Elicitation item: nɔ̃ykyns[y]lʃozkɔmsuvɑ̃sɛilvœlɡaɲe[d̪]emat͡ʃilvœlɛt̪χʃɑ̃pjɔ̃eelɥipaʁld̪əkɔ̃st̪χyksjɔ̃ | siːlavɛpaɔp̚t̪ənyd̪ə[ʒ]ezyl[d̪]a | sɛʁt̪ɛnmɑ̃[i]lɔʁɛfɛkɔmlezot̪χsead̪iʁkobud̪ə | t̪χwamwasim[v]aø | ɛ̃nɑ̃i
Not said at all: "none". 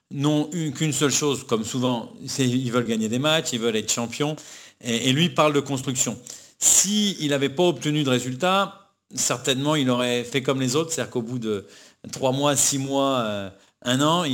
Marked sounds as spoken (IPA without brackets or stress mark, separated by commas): œ, d̪, ʁ, t̪, i, w